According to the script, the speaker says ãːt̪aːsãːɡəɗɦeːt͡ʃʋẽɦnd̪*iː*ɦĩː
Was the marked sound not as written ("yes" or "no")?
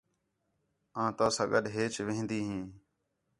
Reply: no